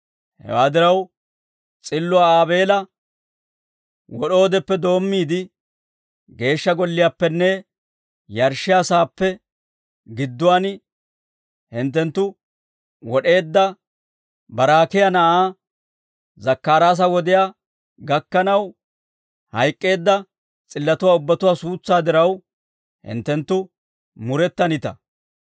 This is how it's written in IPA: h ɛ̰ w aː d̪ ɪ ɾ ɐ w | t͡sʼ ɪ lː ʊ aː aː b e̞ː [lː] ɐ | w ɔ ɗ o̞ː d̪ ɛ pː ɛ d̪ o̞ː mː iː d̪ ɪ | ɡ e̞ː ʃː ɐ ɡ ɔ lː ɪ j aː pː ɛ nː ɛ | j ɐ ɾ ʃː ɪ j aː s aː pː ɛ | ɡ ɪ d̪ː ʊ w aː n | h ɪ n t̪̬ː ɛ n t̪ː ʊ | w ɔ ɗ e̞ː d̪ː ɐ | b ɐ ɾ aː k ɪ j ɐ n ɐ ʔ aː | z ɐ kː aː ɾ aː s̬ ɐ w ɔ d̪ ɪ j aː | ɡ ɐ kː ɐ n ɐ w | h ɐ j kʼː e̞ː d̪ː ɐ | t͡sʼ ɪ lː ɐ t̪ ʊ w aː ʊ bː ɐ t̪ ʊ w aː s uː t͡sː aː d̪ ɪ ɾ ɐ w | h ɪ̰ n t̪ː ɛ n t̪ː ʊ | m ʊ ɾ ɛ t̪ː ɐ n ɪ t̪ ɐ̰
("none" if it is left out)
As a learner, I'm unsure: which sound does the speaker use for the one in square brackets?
l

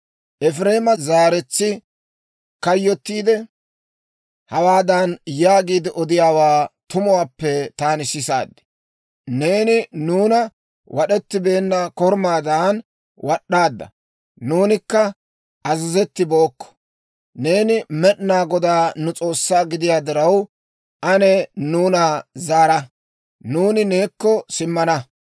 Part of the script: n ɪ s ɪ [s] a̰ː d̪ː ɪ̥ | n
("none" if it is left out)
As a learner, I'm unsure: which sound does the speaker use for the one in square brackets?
s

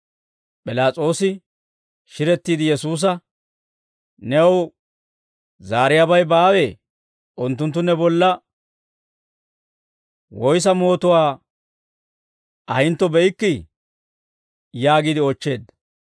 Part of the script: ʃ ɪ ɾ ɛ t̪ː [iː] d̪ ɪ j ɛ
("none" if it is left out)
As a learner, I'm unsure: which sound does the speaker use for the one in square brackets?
iː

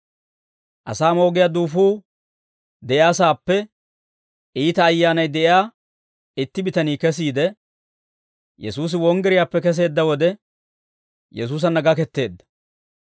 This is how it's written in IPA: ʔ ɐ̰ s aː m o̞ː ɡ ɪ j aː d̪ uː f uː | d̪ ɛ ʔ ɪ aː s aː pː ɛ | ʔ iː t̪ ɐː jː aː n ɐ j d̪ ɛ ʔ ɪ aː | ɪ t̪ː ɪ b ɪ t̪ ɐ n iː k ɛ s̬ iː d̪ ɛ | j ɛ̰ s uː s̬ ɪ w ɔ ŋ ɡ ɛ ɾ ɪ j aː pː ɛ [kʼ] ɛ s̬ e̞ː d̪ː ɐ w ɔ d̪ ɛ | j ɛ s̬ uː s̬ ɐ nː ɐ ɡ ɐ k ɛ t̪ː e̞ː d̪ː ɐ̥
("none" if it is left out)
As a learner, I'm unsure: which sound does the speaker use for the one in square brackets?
k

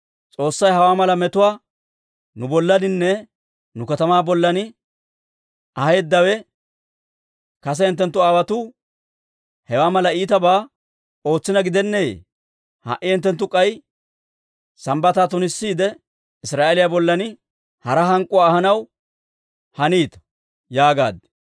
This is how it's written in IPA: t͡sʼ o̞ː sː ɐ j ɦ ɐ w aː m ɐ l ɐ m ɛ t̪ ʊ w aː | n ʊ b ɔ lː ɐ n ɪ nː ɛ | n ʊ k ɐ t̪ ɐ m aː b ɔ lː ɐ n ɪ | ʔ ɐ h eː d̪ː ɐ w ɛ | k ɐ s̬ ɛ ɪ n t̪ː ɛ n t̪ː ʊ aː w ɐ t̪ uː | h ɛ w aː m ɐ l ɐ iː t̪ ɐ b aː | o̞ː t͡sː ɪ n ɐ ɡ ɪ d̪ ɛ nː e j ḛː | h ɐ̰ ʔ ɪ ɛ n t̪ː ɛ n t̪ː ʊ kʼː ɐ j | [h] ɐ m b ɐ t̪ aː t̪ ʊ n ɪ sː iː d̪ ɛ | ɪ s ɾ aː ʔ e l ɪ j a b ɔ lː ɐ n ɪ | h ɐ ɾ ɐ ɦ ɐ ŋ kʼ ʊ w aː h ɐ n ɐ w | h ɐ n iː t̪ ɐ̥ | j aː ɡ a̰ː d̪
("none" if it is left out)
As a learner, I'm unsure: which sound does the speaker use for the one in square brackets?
s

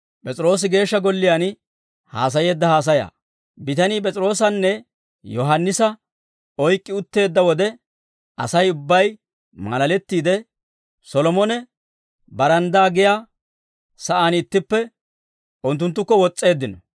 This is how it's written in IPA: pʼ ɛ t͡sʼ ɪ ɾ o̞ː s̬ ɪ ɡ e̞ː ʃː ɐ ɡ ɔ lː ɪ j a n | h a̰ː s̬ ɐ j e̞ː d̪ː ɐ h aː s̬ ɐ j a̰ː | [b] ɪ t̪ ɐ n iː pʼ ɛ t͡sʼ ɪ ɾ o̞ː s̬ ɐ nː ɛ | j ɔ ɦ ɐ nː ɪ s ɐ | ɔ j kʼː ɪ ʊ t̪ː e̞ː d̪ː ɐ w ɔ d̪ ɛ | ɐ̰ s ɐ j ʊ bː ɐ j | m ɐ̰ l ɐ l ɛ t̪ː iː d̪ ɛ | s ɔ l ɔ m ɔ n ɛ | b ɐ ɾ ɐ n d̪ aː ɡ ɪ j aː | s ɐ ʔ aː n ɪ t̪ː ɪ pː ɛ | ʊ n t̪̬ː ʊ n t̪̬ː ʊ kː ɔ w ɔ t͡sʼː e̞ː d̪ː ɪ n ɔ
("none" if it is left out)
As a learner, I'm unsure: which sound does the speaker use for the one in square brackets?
b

